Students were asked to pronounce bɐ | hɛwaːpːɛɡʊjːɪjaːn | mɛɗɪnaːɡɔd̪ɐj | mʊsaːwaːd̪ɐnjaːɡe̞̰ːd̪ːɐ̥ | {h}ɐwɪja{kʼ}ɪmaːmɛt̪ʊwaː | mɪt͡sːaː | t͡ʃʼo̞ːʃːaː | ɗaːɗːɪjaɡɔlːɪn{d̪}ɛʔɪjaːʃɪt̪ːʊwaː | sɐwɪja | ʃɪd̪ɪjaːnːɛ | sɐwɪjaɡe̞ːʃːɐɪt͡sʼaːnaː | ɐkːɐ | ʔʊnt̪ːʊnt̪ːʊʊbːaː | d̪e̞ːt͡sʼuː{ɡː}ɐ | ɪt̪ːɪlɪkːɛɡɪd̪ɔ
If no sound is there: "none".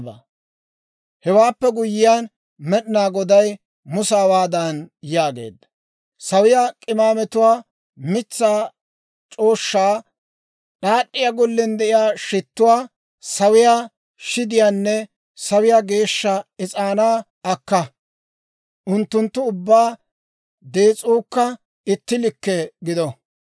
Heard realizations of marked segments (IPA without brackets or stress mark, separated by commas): s, kʼ, d̪, kː